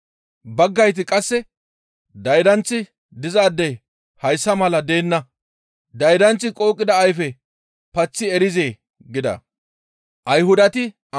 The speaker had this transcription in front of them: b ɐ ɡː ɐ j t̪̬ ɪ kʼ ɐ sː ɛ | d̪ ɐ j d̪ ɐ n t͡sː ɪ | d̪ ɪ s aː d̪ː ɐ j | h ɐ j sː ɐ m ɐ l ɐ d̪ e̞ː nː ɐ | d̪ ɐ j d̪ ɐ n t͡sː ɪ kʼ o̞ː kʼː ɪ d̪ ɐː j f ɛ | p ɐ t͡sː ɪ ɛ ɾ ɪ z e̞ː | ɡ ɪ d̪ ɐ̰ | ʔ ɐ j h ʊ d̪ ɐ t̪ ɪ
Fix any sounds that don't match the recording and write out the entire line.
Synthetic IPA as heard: b ɐ ɡː ɐ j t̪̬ ɪ kʼ ɐ sː ɛ | d̪ ɐ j d̪ ɐ n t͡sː ɪ | d̪ ɪ z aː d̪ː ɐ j | h ɐ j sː ɐ m ɐ l ɐ d̪ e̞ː nː ɐ | d̪ ɐ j d̪ ɐ n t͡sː ɪ kʼ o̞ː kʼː ɪ d̪ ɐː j f ɛ | p ɐ t͡sː ɪ ɛ ɾ ɪ z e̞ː | ɡ ɪ d̪ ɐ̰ | ʔ ɐ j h ʊ d̪ ɐ t̪ ɪ